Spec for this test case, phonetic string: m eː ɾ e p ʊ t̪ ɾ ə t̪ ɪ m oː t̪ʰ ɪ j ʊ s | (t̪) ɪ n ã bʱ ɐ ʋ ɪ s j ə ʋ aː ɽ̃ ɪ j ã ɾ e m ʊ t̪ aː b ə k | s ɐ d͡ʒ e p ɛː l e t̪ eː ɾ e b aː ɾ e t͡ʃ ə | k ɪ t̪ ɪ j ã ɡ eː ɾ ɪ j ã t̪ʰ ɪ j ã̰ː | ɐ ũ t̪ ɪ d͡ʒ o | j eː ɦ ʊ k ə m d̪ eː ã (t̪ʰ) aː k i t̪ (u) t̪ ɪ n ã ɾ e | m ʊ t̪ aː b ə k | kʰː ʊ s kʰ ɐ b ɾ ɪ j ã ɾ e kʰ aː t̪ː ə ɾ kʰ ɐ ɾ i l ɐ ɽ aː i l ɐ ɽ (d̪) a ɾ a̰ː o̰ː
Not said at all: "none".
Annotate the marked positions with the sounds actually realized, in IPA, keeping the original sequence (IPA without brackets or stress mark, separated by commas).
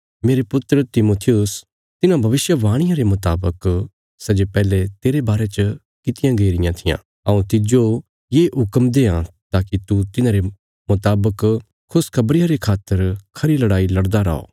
t̪, t̪, u, d̪